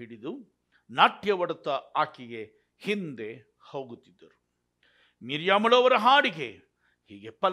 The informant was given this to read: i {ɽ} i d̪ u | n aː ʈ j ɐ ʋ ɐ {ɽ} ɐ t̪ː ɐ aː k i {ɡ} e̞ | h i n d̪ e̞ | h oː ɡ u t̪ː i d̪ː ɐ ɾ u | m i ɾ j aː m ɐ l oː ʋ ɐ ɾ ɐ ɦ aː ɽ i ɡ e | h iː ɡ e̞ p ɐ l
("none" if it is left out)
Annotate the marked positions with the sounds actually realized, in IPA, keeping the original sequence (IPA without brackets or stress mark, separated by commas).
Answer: ɽ, ɽ, ɡ